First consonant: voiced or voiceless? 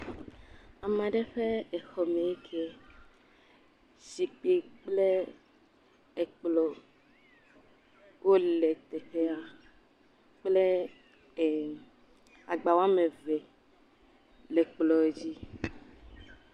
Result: voiced